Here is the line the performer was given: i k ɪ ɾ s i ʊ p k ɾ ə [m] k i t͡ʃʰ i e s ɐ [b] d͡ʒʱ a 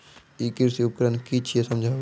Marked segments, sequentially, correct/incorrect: incorrect: n, incorrect: m

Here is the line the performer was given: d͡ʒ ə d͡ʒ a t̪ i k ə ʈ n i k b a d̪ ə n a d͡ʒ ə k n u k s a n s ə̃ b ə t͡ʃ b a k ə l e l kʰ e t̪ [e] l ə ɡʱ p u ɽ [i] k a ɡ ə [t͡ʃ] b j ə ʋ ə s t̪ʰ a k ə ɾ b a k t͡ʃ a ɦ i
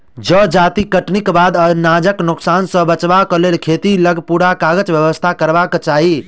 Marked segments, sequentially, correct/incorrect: incorrect: i, incorrect: a, correct

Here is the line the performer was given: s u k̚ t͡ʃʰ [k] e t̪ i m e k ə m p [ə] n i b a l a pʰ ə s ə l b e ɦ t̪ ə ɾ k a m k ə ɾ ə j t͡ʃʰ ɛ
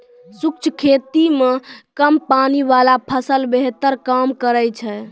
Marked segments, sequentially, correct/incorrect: incorrect: kʰ, incorrect: a

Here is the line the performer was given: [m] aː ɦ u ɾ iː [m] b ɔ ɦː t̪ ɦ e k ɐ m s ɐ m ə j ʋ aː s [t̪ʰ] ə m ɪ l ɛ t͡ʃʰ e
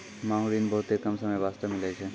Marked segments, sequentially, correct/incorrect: correct, incorrect: n, incorrect: t̪

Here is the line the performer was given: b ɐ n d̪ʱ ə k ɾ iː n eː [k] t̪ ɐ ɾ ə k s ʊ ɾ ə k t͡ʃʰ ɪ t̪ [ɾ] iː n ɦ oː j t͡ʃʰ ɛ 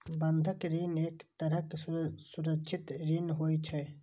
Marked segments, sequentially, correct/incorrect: correct, correct

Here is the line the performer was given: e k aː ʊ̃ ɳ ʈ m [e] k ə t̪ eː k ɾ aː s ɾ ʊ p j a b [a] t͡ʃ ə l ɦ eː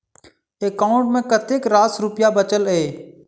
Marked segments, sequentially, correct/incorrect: incorrect: ẽ, incorrect: ə

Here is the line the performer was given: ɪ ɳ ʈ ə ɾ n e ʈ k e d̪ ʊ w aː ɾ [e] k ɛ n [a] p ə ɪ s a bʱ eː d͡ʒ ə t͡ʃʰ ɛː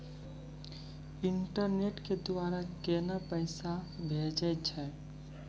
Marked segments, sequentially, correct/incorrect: incorrect: a, correct

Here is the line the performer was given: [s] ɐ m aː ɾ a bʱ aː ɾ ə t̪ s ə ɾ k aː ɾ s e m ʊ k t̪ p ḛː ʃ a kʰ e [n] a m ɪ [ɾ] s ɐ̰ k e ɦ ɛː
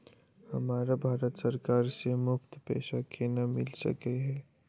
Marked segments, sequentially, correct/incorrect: incorrect: h, correct, incorrect: l

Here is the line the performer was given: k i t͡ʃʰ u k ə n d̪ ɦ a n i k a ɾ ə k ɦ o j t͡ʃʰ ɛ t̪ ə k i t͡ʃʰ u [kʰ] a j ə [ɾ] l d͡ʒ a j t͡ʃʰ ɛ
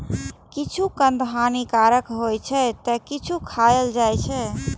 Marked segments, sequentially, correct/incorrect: correct, incorrect: none

